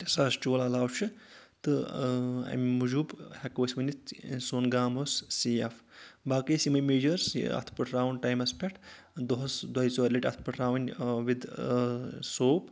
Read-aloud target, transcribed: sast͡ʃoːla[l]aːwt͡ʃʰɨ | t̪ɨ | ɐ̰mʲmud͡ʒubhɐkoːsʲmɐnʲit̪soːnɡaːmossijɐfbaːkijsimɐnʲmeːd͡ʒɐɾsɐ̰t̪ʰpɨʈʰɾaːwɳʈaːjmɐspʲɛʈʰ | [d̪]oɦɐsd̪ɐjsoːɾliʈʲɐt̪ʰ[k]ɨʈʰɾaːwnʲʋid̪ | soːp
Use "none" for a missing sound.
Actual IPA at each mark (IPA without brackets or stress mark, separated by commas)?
l, d̪, p